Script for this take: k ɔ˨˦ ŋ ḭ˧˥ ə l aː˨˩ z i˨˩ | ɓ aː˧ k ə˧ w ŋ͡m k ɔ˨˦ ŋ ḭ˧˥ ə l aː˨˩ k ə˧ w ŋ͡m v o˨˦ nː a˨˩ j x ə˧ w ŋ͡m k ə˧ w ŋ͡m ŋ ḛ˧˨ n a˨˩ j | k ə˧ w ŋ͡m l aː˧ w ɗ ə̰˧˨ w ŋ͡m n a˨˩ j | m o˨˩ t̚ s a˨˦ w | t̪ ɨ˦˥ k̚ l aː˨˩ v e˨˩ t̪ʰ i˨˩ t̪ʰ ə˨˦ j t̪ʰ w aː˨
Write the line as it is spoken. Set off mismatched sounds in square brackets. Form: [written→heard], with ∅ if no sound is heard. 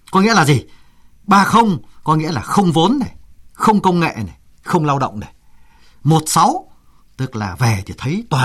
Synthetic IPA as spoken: k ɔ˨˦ ŋ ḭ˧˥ ə l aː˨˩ z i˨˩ | ɓ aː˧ [k→x] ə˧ w ŋ͡m k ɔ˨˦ ŋ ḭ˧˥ ə l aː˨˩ [k→x] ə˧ w ŋ͡m v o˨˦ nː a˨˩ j x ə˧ w ŋ͡m k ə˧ w ŋ͡m ŋ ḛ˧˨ n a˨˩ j | [k→x] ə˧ w ŋ͡m l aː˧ w ɗ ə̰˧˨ w ŋ͡m n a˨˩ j | m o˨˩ t̚ s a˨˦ w | t̪ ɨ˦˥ k̚ l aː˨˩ v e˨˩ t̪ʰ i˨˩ t̪ʰ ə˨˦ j [t̪ʰ→t̪] w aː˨